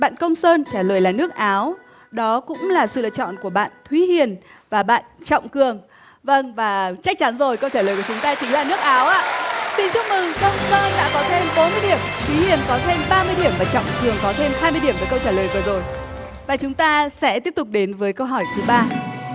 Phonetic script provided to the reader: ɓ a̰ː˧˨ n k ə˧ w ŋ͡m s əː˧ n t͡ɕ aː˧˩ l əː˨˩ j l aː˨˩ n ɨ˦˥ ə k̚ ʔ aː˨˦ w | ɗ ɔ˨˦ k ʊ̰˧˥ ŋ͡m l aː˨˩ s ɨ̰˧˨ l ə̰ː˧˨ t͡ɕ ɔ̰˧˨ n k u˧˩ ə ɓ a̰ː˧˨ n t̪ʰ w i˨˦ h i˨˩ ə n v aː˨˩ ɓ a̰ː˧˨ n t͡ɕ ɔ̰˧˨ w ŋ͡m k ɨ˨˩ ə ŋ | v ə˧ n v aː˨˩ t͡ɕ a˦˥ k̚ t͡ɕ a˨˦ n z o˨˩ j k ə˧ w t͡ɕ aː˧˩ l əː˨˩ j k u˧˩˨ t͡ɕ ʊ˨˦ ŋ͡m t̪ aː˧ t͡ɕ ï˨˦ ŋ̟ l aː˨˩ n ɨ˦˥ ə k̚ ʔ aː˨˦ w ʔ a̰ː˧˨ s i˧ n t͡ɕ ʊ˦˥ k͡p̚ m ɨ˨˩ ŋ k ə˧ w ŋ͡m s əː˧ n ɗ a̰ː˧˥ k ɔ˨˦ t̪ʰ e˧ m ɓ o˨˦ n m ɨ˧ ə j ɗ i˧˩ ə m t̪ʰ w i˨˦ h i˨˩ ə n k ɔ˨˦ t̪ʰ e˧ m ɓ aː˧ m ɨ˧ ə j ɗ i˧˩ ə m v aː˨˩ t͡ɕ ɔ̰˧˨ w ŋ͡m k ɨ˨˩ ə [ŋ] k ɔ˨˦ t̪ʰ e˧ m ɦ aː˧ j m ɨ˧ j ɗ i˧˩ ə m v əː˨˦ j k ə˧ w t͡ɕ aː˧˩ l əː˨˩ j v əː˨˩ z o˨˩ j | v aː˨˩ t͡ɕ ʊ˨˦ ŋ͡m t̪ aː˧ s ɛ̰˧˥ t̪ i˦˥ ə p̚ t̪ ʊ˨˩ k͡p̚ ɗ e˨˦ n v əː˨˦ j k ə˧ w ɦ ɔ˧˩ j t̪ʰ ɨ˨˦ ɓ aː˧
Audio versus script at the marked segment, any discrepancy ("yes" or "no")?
no